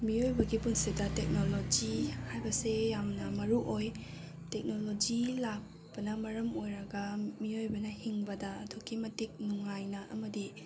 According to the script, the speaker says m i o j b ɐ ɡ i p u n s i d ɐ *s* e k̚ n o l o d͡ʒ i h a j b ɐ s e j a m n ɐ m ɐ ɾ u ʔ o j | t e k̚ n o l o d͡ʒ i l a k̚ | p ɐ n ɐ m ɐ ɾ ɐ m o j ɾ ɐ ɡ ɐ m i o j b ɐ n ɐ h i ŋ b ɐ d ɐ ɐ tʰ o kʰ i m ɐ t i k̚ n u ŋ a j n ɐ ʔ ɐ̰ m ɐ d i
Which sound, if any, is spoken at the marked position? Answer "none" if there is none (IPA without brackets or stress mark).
t